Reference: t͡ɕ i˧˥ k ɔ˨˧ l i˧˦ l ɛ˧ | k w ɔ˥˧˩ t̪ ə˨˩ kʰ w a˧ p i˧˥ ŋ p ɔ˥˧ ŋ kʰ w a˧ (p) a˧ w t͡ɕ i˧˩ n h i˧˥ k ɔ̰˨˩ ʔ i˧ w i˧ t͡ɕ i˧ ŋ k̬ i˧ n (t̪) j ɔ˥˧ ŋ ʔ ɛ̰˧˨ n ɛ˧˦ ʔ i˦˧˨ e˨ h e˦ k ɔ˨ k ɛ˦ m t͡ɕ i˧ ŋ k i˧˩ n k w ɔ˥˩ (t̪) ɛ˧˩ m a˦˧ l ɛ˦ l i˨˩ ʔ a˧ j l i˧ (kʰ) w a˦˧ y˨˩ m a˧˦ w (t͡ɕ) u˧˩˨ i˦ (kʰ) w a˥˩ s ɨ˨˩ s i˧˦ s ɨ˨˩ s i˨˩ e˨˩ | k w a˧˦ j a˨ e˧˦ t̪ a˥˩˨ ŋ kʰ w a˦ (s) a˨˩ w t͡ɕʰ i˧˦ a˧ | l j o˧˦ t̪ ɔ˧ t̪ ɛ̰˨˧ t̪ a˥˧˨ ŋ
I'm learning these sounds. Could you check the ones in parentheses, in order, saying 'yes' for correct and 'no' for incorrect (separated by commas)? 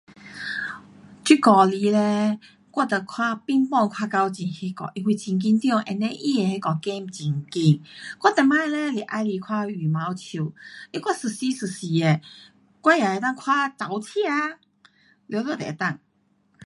no, yes, yes, yes, no, no, no